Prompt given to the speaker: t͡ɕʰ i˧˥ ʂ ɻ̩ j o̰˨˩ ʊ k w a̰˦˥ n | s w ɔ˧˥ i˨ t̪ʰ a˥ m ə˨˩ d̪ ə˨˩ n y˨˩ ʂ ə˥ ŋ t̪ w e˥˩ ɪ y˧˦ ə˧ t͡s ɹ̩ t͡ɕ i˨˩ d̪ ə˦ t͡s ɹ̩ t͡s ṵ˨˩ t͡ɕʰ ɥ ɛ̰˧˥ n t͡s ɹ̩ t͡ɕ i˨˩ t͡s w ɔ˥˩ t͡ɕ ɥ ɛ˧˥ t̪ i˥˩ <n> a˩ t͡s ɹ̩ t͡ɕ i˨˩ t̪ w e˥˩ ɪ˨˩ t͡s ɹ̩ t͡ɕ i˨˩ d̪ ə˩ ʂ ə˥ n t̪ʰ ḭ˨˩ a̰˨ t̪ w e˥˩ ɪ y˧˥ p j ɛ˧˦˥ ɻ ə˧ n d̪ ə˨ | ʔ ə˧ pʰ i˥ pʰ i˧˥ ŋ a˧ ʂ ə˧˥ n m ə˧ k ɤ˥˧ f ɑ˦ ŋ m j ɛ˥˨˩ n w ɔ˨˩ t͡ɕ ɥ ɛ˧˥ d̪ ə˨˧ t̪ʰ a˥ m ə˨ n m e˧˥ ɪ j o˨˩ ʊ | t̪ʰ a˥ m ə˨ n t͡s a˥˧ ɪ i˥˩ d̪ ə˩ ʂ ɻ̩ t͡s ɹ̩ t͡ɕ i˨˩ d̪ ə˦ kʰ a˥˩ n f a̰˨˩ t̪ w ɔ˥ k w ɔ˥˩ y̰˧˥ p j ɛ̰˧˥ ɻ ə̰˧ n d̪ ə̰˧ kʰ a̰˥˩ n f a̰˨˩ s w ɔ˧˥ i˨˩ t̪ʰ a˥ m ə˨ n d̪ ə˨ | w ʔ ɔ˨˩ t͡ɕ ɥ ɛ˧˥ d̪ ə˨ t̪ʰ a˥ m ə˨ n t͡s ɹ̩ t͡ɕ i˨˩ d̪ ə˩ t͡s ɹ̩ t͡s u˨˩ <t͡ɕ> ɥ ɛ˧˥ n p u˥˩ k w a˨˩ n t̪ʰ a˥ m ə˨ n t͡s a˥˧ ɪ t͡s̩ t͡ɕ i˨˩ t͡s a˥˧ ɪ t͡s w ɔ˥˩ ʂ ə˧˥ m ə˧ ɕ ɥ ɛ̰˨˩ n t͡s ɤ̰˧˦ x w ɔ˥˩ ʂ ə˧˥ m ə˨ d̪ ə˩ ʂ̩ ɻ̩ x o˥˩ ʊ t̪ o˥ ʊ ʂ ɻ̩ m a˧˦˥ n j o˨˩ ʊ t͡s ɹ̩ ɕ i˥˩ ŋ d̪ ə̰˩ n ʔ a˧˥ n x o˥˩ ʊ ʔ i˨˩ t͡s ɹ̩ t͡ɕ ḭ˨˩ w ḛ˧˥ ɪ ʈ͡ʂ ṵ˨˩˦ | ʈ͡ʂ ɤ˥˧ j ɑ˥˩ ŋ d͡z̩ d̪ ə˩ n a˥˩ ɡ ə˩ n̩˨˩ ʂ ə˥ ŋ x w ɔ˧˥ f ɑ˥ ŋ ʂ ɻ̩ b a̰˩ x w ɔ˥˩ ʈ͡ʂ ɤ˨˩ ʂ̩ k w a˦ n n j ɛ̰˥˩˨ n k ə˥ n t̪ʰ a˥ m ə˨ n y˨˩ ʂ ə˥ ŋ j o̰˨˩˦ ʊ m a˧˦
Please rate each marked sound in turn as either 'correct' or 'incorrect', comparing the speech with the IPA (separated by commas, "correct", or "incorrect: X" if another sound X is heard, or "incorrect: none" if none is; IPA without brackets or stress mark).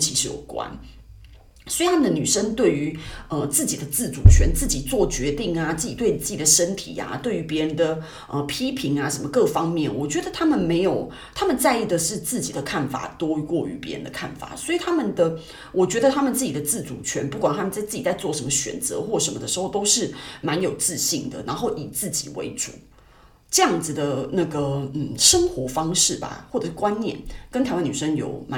incorrect: ŋ, incorrect: t͡ɕʰ